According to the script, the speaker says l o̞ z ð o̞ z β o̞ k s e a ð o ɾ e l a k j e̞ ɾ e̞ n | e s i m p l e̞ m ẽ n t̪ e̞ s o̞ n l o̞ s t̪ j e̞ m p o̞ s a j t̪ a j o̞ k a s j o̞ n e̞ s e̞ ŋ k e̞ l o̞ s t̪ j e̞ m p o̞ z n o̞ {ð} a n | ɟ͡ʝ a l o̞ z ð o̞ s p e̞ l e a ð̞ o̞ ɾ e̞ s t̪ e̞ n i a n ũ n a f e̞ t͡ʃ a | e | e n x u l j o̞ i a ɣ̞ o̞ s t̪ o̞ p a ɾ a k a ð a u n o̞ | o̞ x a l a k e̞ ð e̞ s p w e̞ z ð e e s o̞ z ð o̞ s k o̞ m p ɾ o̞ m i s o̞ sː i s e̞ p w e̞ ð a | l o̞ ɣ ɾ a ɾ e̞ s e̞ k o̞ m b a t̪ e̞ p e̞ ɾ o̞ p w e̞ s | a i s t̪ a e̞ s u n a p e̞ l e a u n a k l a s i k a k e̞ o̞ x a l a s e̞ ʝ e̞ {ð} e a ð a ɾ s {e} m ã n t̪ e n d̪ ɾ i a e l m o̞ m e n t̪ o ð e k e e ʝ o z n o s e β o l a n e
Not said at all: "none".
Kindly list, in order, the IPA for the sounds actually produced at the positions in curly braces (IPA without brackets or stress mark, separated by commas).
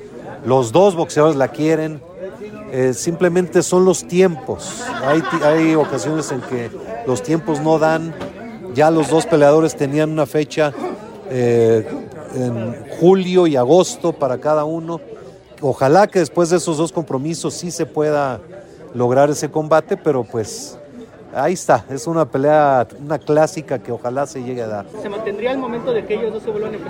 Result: ð, ɣ, e